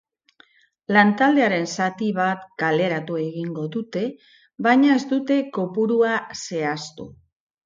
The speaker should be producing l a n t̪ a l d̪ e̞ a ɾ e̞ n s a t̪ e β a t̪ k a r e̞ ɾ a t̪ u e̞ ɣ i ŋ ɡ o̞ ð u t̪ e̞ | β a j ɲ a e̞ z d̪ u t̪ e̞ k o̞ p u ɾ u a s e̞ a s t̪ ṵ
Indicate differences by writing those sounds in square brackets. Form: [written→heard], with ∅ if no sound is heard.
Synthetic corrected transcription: l a n t̪ a l d̪ e̞ a ɾ e̞ n s a t̪ [e→i] β a t̪ k a [r→l] e̞ ɾ a t̪ u e̞ ɣ i ŋ ɡ o̞ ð u t̪ e̞ | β a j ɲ a e̞ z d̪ u t̪ e̞ k o̞ p u ɾ u a s e̞ a s t̪ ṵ